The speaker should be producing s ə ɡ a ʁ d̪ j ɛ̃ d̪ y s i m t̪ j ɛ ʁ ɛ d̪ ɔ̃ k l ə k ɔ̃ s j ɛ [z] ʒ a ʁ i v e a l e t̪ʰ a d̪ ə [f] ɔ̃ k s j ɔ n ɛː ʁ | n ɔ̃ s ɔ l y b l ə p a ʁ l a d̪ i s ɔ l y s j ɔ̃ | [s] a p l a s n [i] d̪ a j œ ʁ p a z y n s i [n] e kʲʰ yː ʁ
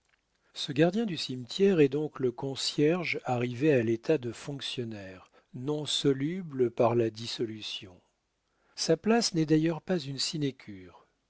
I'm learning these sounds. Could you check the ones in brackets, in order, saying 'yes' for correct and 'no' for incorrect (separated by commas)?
no, yes, yes, no, yes